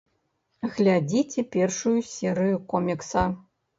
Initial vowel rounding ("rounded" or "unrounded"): unrounded